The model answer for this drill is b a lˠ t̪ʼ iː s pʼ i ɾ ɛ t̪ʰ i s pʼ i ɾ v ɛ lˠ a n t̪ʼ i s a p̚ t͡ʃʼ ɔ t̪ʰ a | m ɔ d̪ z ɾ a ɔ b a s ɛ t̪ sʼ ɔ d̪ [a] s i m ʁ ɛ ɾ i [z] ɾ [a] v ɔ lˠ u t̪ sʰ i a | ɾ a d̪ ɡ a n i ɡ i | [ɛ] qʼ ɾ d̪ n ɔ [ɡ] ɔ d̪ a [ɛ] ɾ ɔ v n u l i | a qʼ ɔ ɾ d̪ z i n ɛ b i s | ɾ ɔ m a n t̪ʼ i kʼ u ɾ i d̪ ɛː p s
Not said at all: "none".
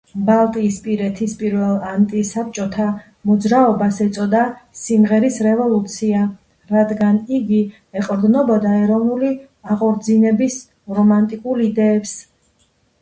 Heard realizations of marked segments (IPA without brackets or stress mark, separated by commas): a, s, ɛ, ɛ, b, ɛ